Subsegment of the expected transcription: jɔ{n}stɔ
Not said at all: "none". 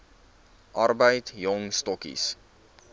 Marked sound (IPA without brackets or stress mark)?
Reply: ŋ